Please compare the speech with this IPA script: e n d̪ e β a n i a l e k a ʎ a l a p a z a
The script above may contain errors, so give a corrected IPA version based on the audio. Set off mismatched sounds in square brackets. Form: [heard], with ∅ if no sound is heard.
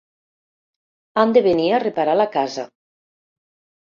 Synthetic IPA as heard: [a] n d̪ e β [e] n i a [r] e [p] a [ɾ] a l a [k] a z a